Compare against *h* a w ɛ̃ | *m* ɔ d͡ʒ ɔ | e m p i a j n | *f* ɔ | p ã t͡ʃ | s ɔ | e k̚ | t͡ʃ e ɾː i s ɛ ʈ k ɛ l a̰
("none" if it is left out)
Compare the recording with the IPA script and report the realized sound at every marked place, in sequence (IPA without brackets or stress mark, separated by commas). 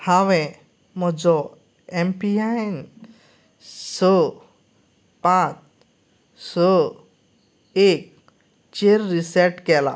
h, m, s